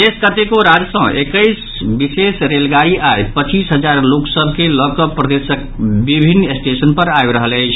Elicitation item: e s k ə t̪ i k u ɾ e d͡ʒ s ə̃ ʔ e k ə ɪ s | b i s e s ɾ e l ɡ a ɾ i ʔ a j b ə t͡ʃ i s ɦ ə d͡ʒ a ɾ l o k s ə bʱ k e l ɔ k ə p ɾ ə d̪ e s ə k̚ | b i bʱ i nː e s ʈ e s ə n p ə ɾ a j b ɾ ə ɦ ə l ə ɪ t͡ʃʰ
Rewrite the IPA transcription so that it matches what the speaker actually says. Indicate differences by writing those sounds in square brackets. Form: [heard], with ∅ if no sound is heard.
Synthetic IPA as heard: e s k ə t̪ [e] k [o] ɾ [a] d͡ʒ s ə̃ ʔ e k ə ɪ s | b i s e s ɾ e l ɡ a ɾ i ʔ a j [p] ə t͡ʃ i s ɦ ə d͡ʒ a ɾ l o k s ə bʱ k e l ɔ k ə p ɾ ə d̪ e s ə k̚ | b i bʱ i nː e s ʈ e s ə n p ə ɾ a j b ɾ ə ɦ ə l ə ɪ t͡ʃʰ

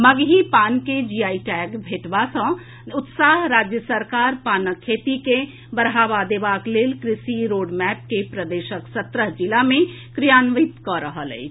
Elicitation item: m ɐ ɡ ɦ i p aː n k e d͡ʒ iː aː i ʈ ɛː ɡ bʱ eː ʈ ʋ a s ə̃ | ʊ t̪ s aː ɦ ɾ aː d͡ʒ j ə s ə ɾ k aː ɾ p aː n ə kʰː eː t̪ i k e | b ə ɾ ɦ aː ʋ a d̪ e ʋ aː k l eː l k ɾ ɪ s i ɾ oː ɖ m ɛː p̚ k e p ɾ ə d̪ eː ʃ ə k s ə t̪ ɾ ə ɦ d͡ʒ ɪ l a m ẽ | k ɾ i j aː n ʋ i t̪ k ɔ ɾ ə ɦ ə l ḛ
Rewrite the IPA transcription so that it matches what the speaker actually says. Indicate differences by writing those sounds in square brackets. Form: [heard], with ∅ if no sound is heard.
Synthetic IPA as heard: m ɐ ɡ ɦ i p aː n k e d͡ʒ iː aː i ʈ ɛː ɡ bʱ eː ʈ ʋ a s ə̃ | ʊ t̪ s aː ɦ ɾ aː d͡ʒ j ə s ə ɾ k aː ɾ p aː n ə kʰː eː t̪ i k e | b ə ɾ ɦ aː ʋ a d̪ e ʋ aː k l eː l k ɾ ɪ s i ɾ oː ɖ m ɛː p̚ k e p ɾ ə d̪ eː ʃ ə k s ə t̪ ɾ ə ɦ d͡ʒ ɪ l a m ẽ | k ɾ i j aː n ʋ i t̪ k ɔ ɾ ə ɦ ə l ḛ

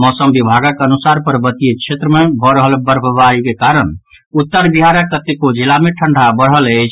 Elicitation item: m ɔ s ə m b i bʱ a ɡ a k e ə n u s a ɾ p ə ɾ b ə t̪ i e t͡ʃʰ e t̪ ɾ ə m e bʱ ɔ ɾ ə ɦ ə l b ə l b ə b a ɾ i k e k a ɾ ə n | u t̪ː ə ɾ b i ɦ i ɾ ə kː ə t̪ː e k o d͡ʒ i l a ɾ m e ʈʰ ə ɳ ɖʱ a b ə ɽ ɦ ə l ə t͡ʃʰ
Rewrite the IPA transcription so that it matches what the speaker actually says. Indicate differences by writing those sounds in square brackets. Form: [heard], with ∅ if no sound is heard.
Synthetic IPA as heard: m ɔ s ə m b i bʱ a ɡ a k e ə n u s a ɾ p ə ɾ b ə t̪ i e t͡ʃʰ e t̪ ɾ ə m e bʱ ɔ ɾ ə ɦ ə l b ə [ɾ] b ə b a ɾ i k e k a ɾ ə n | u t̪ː ə ɾ b i ɦ [a] ɾ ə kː ə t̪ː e k o d͡ʒ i l a [∅] m e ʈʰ ə ɳ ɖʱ a b ə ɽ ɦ ə l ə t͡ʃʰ

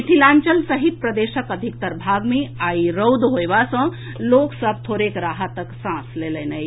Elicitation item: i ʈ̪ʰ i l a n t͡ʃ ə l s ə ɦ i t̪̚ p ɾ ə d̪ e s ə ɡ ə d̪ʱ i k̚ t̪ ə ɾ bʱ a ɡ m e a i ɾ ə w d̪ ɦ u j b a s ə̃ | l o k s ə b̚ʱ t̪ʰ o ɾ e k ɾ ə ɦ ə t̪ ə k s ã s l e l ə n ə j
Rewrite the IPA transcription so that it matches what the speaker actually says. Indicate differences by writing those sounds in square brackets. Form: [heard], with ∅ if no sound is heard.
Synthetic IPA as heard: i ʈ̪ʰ i l a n t͡ʃ ə l s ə ɦ i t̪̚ p ɾ ə d̪ e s ə [k] ə d̪ʱ i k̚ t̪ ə ɾ bʱ a ɡ m e a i ɾ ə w d̪ ɦ [o] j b a s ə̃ | l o k s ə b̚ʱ t̪ʰ o ɾ e k ɾ [a] ɦ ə t̪ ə k s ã s l e l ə n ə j

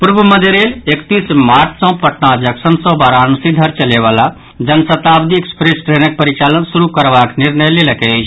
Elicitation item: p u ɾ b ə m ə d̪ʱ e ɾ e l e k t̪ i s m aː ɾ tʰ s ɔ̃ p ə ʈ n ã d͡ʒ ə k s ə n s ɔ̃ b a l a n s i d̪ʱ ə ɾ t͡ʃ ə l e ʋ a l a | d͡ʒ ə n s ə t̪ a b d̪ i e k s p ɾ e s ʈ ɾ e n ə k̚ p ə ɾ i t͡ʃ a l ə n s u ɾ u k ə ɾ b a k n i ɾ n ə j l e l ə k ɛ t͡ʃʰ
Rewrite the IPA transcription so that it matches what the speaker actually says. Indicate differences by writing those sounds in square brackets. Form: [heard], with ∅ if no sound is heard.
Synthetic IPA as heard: p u ɾ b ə m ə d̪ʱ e ɾ e l e k t̪ i s m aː ɾ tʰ s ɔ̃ p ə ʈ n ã d͡ʒ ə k s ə n s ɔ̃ b a [ɾ] a n s i d̪ʱ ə ɾ t͡ʃ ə l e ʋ a l a | d͡ʒ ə n s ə t̪ a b d̪ i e k s p ɾ e s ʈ ɾ e n ə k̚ p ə ɾ i t͡ʃ a l ə n s u ɾ u k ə ɾ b a k n i ɾ n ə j l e l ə k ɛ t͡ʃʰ

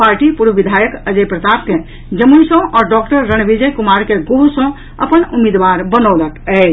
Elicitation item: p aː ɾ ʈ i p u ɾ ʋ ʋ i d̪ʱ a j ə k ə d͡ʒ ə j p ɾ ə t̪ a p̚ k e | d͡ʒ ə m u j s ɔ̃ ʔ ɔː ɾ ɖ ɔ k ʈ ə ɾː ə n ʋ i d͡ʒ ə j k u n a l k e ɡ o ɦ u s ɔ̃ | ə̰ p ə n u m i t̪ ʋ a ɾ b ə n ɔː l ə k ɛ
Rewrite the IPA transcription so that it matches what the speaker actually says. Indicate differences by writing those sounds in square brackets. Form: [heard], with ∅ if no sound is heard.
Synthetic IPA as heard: p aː ɾ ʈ i p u ɾ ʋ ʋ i d̪ʱ a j ə k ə d͡ʒ ə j p ɾ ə t̪ a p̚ k e | d͡ʒ ə m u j s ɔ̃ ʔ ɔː ɾ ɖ ɔ k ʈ ə ɾː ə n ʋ i d͡ʒ ə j k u [m] a [ɾ] k e ɡ o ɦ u s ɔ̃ | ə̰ p ə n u m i [d̪] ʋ a ɾ b ə n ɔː l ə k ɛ

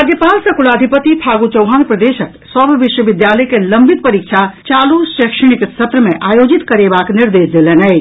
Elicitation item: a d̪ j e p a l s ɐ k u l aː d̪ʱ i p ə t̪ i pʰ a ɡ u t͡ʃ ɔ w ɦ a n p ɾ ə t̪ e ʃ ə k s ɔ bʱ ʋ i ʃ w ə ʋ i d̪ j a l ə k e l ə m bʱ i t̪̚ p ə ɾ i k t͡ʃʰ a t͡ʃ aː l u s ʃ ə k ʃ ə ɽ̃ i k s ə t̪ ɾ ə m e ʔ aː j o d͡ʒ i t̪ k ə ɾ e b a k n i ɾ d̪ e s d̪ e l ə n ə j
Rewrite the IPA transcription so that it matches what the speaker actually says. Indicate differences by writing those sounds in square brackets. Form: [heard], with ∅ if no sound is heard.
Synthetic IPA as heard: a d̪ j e p a l s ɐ k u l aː d̪ʱ i p ə t̪ i pʰ a ɡ u t͡ʃ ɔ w ɦ a n p ɾ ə [d̪] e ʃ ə k s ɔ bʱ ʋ i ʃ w ə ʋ i d̪ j a l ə k e l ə m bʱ i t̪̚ p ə ɾ i k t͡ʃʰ a t͡ʃ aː l u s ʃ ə k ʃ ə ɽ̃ i k s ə t̪ ɾ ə m e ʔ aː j o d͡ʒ i t̪ k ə ɾ e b a k n i ɾ d̪ e s d̪ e l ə n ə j

